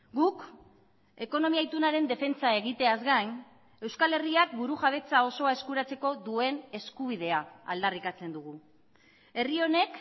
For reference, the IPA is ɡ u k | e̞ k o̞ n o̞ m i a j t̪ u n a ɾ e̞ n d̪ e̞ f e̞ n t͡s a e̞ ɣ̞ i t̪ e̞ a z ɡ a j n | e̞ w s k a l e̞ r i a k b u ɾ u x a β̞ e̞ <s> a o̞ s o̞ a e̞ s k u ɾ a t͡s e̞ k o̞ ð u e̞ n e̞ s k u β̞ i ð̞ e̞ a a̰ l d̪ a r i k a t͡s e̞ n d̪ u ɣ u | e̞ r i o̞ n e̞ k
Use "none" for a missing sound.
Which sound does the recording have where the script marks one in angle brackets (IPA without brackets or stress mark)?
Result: t͡s